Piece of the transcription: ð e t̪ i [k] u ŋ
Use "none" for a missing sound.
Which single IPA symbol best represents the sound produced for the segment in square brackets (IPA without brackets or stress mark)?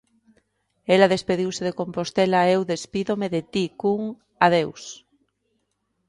k